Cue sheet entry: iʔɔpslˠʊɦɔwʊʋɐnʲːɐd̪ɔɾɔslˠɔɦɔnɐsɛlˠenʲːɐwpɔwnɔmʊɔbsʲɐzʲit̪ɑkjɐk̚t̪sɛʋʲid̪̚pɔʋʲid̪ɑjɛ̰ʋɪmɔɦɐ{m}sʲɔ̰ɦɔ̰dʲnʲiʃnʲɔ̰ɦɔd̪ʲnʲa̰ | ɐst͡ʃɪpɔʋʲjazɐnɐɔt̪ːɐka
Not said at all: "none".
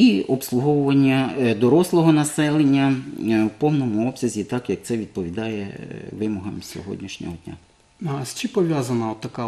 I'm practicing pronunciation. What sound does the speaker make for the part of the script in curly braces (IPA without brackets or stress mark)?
m